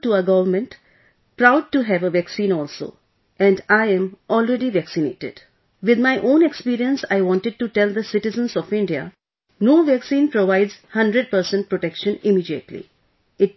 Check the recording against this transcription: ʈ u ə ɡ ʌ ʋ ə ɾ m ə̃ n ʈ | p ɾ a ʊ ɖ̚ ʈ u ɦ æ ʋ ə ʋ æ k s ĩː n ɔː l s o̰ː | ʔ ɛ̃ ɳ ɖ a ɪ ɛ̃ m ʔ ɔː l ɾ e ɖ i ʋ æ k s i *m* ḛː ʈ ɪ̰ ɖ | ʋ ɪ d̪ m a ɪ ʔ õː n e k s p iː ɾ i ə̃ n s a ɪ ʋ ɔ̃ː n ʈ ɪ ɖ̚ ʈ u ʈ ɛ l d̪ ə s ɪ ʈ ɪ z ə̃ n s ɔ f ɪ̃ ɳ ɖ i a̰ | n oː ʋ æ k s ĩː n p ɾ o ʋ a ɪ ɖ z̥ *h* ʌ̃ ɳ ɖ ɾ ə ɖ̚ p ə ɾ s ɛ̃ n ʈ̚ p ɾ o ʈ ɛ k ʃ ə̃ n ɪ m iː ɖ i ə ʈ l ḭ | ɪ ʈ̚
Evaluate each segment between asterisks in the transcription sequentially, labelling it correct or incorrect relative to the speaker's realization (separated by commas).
incorrect, correct